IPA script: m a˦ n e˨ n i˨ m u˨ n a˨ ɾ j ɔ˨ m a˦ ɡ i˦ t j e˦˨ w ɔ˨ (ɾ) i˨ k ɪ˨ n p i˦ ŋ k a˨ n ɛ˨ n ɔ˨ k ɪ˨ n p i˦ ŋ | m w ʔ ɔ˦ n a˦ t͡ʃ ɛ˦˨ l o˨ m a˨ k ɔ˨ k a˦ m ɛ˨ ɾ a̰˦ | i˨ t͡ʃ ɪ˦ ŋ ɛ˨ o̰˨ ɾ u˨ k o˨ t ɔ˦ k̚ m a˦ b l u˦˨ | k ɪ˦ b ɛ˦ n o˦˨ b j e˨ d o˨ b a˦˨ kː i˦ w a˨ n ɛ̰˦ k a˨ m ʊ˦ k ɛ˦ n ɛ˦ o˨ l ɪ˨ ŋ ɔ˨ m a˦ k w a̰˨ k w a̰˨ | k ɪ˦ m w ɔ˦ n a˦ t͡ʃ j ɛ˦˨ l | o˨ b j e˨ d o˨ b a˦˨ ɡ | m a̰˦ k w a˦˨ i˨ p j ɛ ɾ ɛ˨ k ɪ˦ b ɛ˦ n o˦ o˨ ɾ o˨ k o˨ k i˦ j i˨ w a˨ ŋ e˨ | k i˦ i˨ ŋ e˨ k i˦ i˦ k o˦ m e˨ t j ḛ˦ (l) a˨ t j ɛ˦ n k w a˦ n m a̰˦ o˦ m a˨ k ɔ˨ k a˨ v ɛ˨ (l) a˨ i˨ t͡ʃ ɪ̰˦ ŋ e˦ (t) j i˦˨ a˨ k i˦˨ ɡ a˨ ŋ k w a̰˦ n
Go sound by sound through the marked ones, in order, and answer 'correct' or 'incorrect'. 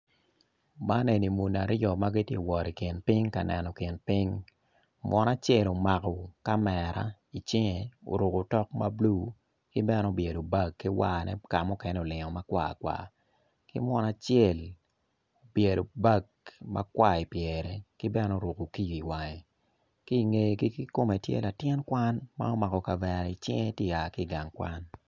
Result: correct, correct, incorrect, correct

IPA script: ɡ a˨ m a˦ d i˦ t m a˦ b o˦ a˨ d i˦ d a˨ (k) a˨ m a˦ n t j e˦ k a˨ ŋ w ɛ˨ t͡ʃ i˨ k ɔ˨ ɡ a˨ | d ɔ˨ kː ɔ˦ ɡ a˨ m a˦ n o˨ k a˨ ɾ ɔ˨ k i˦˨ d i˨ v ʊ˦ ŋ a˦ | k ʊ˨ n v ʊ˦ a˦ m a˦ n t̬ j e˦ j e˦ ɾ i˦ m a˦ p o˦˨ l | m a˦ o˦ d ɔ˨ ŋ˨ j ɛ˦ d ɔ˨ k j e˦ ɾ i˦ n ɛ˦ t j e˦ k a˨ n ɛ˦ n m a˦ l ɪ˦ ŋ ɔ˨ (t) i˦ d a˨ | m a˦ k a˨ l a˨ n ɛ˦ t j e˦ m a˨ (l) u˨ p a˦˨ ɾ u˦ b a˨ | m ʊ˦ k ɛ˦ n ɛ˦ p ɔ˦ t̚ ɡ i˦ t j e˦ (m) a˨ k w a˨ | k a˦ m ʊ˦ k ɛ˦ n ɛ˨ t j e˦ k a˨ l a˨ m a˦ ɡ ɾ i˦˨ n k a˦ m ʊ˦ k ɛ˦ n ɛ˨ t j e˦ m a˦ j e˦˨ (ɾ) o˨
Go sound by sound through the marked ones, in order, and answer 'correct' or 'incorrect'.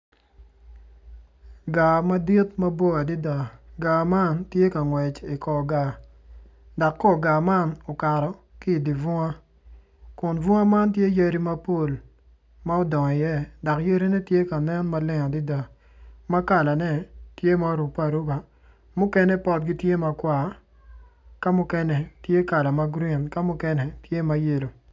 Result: incorrect, incorrect, incorrect, correct, incorrect

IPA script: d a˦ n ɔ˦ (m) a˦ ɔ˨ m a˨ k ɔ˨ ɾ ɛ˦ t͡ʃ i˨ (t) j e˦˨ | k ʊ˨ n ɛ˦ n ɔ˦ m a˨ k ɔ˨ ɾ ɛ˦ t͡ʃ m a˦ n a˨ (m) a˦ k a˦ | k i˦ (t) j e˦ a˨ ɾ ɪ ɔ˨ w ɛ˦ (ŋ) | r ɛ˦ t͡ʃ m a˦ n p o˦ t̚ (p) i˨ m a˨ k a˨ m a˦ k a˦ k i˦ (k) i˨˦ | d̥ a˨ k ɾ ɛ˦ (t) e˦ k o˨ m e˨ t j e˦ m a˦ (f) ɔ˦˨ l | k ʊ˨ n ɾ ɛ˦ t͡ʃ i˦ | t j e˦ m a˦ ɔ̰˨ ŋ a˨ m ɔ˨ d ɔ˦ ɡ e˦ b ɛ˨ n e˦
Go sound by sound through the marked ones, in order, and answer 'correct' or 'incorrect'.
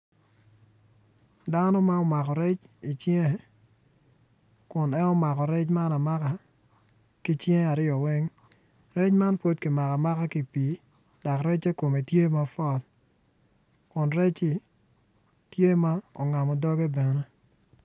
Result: correct, incorrect, correct, incorrect, correct, incorrect, incorrect, incorrect, correct

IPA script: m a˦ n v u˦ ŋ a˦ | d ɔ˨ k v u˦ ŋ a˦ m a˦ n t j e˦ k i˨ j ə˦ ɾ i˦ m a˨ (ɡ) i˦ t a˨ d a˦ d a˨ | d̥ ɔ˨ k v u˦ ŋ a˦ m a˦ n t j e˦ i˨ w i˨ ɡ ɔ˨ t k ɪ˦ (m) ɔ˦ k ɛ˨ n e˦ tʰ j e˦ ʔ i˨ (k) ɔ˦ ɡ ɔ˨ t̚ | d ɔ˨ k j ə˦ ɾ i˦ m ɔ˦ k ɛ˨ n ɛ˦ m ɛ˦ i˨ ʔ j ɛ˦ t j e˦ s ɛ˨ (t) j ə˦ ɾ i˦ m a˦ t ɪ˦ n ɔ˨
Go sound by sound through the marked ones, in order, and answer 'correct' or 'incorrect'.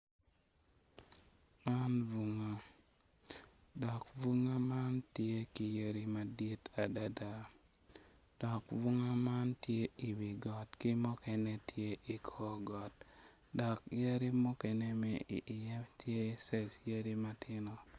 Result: incorrect, correct, incorrect, incorrect

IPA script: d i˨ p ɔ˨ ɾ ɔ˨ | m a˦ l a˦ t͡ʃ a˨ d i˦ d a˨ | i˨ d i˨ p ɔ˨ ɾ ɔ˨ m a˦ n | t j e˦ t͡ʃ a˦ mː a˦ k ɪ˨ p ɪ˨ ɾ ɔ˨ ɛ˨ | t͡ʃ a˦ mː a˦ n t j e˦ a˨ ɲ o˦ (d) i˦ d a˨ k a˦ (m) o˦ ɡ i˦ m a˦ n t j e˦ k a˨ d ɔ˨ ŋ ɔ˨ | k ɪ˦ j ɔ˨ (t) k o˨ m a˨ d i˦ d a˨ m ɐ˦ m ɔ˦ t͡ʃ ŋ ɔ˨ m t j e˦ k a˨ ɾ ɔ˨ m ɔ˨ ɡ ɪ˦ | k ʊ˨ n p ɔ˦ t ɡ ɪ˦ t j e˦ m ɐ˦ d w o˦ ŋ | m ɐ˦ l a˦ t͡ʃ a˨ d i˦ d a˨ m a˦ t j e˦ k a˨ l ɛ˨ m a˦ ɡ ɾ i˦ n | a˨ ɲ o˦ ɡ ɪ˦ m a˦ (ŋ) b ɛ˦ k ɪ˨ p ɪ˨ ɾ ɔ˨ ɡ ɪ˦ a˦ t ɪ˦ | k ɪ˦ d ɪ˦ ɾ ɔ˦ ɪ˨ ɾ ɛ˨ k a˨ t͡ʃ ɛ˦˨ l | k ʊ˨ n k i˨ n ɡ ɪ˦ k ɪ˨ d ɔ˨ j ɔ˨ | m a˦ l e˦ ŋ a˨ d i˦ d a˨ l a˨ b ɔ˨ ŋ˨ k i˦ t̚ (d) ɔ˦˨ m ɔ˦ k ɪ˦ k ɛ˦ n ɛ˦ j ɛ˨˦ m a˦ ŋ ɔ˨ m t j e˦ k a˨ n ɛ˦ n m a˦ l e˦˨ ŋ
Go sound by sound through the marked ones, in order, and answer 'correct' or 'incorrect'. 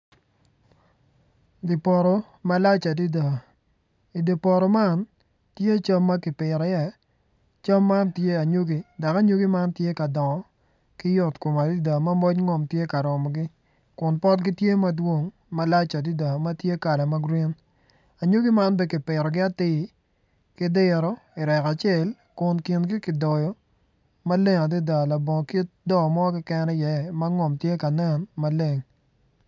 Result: incorrect, incorrect, correct, incorrect, correct

